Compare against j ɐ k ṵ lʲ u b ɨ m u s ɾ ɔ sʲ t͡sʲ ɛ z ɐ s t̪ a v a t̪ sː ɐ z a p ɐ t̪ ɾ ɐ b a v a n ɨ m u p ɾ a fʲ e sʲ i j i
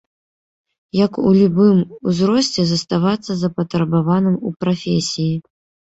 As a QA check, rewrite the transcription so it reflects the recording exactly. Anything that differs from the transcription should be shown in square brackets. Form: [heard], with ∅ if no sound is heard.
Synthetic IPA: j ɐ k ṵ lʲ u b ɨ m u [z] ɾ ɔ sʲ t͡sʲ ɛ z ɐ s t̪ a v a t̪ sː ɐ z [ɐ] p ɐ t̪ ɾ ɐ b a v a n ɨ m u p ɾ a fʲ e sʲ i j i